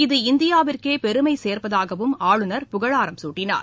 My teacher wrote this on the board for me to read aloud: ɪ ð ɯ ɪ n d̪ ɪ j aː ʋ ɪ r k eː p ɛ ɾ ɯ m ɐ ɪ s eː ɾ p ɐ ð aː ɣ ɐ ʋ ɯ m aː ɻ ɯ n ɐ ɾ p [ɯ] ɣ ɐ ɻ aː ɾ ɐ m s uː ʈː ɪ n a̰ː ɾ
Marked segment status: incorrect: ʊ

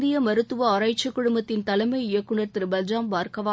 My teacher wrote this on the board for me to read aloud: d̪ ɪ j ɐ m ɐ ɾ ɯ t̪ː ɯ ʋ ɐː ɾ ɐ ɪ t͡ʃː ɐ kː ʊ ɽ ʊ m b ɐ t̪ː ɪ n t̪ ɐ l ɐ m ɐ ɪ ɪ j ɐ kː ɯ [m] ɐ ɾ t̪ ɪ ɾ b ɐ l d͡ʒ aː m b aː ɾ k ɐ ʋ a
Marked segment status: incorrect: ɳ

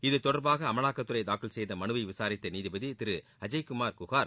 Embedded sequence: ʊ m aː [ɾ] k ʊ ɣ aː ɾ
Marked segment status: correct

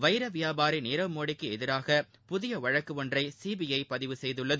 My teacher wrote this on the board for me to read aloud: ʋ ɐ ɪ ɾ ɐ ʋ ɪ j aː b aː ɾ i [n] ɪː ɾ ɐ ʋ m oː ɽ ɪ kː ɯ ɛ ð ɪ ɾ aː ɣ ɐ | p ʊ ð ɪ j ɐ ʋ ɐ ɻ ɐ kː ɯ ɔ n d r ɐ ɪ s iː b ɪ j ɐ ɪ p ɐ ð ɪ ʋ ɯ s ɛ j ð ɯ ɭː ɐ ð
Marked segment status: correct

